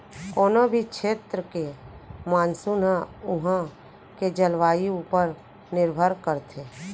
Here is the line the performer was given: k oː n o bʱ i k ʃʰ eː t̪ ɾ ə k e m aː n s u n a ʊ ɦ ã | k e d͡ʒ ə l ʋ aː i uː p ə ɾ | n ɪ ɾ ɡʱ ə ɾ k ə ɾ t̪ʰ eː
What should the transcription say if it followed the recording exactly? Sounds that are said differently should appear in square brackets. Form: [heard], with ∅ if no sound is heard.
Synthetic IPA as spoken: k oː n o bʱ i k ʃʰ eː t̪ ɾ ə k e m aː n s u n a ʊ ɦ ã | k e d͡ʒ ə l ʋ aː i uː p ə ɾ | n ɪ ɾ [bʱ] ə ɾ k ə ɾ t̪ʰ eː